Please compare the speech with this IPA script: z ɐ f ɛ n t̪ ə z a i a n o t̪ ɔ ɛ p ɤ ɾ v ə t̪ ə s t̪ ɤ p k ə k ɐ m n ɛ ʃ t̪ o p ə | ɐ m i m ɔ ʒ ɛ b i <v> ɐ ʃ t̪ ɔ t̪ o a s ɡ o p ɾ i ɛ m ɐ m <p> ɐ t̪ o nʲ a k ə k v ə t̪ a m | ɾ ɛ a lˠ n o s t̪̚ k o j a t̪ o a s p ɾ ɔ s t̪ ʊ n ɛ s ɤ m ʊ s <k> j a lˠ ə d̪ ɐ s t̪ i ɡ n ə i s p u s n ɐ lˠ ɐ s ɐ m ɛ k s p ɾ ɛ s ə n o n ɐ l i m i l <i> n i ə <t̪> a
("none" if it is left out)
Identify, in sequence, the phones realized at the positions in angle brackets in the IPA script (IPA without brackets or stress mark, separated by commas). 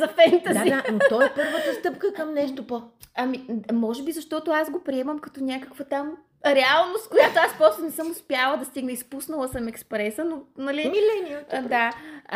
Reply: z, k, p, ɛ, d̪